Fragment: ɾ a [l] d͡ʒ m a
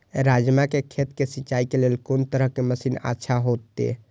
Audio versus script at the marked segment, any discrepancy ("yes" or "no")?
yes